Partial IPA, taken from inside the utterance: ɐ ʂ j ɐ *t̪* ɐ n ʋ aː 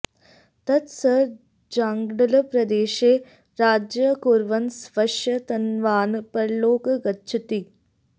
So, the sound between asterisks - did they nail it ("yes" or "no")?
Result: yes